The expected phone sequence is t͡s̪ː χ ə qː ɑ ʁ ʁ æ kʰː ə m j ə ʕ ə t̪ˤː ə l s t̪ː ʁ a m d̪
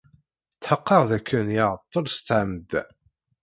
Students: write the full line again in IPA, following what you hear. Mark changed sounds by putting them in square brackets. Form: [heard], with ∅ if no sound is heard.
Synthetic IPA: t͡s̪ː [ħ] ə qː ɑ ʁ [ð] æ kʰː ə [n] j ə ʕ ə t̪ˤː ə l s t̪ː [ʕ] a m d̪